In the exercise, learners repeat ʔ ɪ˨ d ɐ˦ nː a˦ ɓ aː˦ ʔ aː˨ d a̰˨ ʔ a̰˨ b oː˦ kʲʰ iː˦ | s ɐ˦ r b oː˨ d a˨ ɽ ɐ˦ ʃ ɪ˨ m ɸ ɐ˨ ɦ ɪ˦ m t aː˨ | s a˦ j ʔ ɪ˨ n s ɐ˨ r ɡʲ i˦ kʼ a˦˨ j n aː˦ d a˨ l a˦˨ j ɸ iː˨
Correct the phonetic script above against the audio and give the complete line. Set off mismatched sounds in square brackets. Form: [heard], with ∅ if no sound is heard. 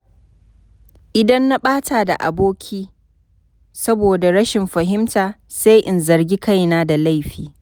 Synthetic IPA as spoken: ʔ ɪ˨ d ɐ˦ nː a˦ ɓ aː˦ [t] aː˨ d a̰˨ ʔ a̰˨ b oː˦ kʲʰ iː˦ | s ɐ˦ [∅] b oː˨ d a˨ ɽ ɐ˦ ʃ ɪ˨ m ɸ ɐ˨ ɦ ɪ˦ m t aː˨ | s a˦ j ʔ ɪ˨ n [z] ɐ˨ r ɡʲ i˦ [k] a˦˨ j n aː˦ d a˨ l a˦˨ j ɸ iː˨